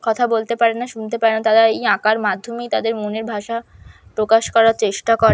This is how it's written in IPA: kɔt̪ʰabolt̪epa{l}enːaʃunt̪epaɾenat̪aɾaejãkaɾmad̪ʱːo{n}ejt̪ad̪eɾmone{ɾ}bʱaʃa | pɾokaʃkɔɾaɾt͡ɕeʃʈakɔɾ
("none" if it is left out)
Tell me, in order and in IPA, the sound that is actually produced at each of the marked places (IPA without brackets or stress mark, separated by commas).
ɾ, m, ɾ